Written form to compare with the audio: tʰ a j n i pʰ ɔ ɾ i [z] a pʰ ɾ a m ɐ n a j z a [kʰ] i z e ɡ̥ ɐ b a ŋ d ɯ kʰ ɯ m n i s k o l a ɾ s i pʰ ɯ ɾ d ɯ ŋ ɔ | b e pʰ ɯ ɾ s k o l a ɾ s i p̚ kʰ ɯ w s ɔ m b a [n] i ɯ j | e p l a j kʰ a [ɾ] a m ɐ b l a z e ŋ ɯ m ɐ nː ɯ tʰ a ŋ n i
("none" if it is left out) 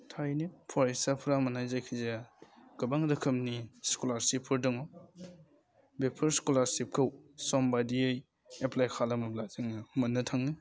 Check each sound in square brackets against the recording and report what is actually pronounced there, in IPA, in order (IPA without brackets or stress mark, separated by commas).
s, kʰ, d, l